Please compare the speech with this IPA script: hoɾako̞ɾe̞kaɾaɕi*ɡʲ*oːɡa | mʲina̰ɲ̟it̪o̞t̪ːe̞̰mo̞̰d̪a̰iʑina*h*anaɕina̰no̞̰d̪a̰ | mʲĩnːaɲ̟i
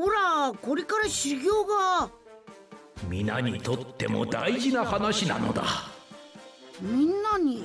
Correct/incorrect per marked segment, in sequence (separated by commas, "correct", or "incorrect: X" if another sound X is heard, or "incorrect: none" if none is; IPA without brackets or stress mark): correct, correct